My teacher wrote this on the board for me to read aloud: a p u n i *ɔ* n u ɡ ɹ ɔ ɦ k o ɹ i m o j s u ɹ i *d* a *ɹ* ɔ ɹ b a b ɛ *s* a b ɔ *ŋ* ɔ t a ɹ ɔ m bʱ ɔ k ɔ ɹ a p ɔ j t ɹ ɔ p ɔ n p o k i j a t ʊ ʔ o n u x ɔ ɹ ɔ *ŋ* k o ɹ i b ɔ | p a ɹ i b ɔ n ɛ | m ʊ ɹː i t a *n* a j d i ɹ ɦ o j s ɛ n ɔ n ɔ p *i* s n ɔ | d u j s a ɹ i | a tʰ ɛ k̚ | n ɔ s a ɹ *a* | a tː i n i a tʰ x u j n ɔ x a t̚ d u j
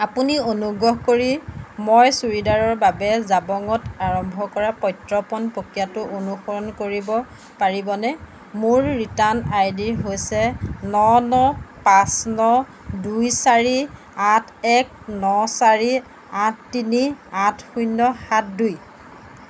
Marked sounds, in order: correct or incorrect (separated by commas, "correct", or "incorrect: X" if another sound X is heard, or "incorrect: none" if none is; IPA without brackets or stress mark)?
incorrect: o, correct, correct, incorrect: z, correct, incorrect: n, correct, incorrect: a, incorrect: i